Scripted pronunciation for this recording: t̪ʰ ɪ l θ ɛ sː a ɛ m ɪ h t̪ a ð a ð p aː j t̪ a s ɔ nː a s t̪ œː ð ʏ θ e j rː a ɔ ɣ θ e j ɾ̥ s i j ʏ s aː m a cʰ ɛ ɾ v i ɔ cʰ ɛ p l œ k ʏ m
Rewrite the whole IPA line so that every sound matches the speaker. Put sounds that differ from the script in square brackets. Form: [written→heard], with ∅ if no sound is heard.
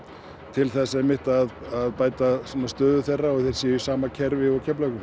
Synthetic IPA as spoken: t̪ʰ ɪ l θ ɛ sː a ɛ m ɪ h t̪ a ð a ð p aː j t̪ a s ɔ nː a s t̪ œː ð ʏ θ e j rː a ɔ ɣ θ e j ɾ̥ s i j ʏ s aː m a cʰ ɛ ɾ v [i→ɪ] ɔ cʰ ɛ p l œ k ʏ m